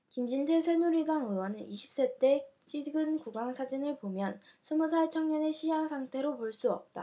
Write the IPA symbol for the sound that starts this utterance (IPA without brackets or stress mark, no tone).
k